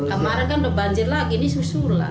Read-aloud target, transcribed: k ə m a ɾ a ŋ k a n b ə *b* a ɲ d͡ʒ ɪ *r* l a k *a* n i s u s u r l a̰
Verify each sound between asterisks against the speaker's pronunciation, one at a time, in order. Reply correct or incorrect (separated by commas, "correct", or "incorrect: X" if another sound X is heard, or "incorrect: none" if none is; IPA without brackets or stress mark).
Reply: correct, correct, incorrect: i